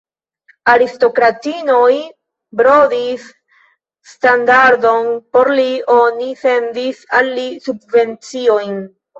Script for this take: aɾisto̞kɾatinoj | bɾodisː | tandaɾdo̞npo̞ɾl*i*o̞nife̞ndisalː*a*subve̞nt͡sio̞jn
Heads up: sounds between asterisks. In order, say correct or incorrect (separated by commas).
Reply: correct, incorrect